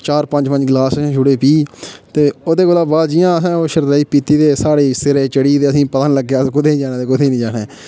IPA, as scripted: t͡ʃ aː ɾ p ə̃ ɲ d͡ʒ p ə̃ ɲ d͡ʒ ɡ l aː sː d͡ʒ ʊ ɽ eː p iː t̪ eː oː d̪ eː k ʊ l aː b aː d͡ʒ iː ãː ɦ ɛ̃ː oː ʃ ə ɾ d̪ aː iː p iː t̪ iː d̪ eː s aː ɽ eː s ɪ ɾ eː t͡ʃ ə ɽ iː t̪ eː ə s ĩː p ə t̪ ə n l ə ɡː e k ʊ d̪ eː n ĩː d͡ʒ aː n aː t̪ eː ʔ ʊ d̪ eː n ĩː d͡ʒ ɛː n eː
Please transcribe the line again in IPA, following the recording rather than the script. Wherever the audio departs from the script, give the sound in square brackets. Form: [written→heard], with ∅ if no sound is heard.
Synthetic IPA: t͡ʃ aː ɾ p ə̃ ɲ d͡ʒ p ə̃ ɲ d͡ʒ ɡ l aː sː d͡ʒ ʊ ɽ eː p iː t̪ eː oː d̪ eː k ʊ l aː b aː d͡ʒ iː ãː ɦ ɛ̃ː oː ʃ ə ɾ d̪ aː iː p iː t̪ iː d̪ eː s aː ɽ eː s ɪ ɾ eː t͡ʃ ə ɽ iː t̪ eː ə s ĩː p ə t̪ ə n l ə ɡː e k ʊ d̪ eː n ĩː d͡ʒ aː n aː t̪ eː [ʔ→k] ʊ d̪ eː n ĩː d͡ʒ [ɛː→aː] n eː